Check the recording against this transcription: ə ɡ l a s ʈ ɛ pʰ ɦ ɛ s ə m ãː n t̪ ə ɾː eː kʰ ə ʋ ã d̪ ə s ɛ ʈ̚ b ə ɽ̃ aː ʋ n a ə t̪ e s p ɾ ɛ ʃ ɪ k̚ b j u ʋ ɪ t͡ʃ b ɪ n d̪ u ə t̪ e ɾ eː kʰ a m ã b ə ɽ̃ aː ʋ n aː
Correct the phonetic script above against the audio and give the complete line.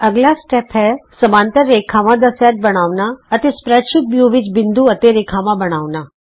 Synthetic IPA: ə ɡ l a s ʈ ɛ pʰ ɦ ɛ s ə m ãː n t̪ ə ɾː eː kʰ a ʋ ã d̪ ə s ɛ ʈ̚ b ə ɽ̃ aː ʋ n a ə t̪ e s p ɾ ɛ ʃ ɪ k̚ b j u ʋ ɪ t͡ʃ b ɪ n d̪ u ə t̪ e ɾ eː kʰ a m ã b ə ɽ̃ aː ʋ n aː